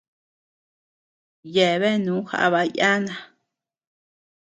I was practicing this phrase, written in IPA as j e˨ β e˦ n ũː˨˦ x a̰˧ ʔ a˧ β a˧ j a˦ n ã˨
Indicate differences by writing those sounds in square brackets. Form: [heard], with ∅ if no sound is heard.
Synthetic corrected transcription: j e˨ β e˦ n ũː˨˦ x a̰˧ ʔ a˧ β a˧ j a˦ n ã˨